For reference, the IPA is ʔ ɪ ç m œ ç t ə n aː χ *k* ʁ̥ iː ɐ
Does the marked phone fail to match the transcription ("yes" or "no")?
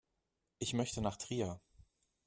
yes